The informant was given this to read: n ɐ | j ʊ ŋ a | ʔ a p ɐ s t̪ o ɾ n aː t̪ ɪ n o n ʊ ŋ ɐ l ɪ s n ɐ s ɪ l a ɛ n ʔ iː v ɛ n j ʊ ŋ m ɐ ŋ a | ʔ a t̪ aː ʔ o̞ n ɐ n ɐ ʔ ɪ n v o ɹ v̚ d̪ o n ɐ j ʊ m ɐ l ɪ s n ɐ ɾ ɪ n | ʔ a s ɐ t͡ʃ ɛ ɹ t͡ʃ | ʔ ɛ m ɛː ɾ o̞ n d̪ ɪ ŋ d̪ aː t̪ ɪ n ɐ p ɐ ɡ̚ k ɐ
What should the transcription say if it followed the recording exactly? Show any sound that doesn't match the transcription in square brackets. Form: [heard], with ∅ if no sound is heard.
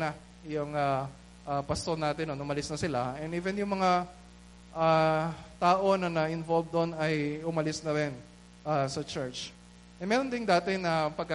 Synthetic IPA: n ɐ | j ʊ ŋ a | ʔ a p ɐ s t̪ o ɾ n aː t̪ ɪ n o n ʊ [m] ɐ l ɪ s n ɐ s ɪ l a ɛ n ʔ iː v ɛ n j ʊ ŋ m ɐ ŋ a | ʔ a t̪ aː ʔ o̞ n ɐ n ɐ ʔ ɪ n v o [l] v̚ d̪ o n ɐ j ʊ m ɐ l ɪ s n ɐ ɾ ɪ n | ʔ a s ɐ t͡ʃ ɛ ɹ t͡ʃ | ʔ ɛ m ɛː ɾ o̞ n d̪ ɪ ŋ d̪ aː t̪ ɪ n ɐ p ɐ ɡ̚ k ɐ